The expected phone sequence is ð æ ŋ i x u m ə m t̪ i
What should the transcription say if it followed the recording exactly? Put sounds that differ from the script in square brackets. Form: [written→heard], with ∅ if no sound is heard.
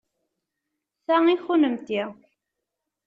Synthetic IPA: [ð→θ] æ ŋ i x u [m→n] ə m t̪ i

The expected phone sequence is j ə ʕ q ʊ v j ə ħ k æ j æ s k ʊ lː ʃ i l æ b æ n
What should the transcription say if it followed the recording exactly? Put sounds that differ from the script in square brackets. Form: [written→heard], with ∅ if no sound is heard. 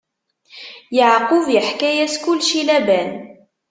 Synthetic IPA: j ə ʕ q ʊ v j ə ħ k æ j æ s k ʊ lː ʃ i l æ b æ n

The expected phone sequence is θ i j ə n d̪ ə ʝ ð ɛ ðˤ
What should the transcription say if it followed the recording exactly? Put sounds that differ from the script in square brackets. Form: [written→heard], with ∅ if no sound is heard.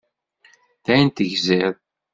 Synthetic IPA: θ [i→æ] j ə n [d̪→t̪] ə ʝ [ð→z] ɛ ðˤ

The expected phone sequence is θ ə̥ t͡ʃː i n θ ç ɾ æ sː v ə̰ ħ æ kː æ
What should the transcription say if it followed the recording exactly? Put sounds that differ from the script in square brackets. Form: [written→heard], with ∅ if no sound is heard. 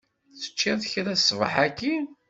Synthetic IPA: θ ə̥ t͡ʃː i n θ ç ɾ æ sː v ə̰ ħ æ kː [æ→i]

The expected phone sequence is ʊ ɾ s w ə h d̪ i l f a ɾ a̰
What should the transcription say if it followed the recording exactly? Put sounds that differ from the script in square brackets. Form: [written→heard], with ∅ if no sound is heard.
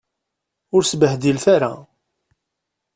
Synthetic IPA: ʊ ɾ s [w→b] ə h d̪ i l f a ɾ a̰

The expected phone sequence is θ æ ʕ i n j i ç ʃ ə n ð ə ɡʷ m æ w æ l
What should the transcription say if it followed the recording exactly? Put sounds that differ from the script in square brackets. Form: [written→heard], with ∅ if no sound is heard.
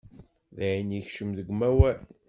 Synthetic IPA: [θ→ð] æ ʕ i n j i ç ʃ ə [n→m] ð ə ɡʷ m æ w æ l

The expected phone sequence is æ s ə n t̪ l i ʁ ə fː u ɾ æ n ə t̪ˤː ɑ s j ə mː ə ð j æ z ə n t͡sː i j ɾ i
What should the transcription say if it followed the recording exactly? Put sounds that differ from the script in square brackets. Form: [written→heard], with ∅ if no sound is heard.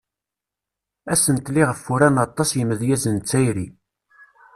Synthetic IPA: æ s ə n t̪ l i ʁ ə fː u ɾ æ n [ə→ɑ] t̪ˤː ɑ s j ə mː ə ð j æ z ə n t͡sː [i→æ] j ɾ i

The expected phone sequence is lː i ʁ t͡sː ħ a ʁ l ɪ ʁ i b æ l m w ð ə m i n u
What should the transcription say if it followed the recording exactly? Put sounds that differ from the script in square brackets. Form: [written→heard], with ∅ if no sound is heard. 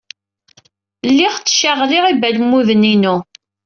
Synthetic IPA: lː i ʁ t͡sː [ħ→ʃ] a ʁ l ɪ ʁ i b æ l m [w→u] ð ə [m→n] i n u

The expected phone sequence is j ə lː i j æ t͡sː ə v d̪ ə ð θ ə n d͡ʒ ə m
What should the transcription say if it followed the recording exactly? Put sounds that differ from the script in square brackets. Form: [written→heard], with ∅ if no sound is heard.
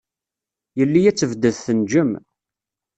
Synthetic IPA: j ə lː i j æ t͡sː ə v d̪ ə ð θ ə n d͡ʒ ə m

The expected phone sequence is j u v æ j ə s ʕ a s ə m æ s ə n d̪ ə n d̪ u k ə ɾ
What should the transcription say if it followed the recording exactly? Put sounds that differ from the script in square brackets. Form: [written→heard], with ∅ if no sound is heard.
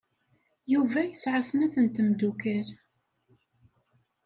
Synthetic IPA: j u v æ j ə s ʕ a s ə [m→n] æ [s→θ] ə n [d̪→t̪] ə [n→m] d̪ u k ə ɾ

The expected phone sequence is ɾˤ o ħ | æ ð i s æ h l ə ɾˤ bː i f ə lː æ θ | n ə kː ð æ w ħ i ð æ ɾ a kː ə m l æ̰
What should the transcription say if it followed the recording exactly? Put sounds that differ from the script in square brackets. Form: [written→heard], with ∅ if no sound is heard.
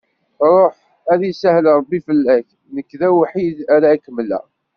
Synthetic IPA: ɾˤ o ħ | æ ð i s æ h l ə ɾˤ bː i f ə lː æ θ | n ə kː ð æ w ħ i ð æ ɾ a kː ə m l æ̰

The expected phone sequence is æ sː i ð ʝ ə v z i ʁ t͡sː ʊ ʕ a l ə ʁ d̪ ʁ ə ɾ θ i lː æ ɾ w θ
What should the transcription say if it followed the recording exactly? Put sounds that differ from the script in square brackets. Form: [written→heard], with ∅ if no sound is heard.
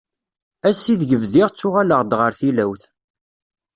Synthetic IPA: æ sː i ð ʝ ə v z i ʁ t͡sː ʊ [ʕ→ʁ] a l ə ʁ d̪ ʁ ə ɾ θ i [lː→l] æ [ɾ→∅] w θ

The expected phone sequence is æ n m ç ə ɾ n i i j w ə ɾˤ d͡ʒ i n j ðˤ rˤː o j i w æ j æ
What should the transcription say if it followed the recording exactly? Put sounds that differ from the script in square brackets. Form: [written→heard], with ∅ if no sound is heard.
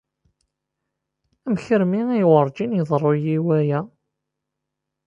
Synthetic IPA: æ [n→∅] m ç ə ɾ [n→m] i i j w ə ɾˤ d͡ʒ i n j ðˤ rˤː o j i w æ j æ

